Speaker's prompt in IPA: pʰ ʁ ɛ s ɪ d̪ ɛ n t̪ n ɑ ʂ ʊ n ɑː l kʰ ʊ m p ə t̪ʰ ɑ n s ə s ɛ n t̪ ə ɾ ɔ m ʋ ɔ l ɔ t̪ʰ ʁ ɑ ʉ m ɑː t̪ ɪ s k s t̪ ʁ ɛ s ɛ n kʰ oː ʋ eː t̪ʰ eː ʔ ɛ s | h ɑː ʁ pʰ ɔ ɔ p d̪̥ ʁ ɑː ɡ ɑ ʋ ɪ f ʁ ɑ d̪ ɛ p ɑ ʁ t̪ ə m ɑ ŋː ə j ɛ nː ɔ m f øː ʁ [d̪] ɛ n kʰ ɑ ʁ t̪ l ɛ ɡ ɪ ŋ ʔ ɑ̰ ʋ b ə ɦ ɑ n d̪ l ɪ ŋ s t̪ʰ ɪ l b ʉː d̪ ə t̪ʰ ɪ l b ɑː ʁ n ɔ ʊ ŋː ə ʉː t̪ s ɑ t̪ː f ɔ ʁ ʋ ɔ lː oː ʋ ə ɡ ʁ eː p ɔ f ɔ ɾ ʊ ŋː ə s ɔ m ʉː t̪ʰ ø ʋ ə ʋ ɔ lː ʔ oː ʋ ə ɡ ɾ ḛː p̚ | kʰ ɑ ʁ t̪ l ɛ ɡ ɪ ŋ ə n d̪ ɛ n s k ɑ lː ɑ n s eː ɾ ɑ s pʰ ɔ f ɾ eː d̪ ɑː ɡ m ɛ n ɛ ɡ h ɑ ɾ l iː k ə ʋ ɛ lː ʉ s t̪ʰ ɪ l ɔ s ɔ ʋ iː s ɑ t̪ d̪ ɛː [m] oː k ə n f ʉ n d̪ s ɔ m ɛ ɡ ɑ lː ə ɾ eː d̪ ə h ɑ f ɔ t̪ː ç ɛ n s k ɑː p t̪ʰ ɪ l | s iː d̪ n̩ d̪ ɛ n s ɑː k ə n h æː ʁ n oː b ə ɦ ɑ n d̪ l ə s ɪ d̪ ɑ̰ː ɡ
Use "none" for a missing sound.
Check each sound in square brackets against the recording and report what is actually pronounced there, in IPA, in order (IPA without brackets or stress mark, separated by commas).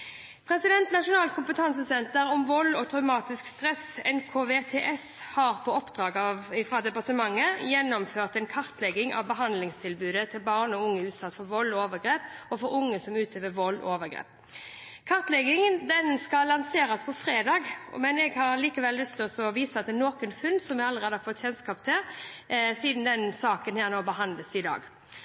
t̪, n